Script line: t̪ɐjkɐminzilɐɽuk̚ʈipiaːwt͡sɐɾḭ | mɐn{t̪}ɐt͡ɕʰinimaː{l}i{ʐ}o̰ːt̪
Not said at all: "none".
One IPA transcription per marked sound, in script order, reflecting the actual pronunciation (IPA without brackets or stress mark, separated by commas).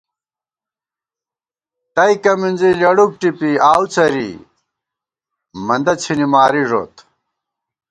d̪, ɾ, ʐ